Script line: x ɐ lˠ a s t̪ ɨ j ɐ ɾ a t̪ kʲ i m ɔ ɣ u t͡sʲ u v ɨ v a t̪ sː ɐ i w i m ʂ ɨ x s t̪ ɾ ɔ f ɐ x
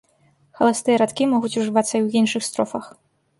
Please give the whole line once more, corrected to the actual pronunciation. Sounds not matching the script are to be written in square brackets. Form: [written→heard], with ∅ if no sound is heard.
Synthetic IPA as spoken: x ɐ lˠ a s t̪ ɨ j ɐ ɾ a t̪ kʲ i m ɔ ɣ u t͡sʲ u [v→ʐ] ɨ v a t̪ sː ɐ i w i [m→n] ʂ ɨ x s t̪ ɾ ɔ f ɐ x